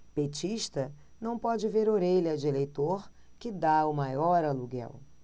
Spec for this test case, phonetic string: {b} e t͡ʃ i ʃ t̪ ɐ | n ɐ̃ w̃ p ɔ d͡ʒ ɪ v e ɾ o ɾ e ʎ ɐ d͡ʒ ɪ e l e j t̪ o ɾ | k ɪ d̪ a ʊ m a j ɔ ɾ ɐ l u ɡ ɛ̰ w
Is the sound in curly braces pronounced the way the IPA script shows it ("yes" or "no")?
no